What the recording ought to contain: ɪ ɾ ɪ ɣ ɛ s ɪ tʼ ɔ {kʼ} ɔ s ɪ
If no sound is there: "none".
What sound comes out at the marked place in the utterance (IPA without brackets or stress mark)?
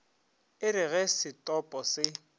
pʼ